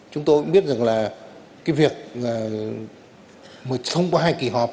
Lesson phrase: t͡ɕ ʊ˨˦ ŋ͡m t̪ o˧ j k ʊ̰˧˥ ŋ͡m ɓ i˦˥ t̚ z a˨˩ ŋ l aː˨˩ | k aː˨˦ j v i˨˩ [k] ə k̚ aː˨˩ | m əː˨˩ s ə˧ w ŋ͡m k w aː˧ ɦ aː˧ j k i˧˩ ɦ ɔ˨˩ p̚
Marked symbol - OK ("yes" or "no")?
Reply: no